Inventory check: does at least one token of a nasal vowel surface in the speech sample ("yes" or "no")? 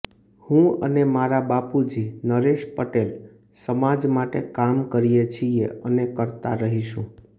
yes